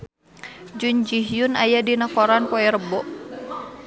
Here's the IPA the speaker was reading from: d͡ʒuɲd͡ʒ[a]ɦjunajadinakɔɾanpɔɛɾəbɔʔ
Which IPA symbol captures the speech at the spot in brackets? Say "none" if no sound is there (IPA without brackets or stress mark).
i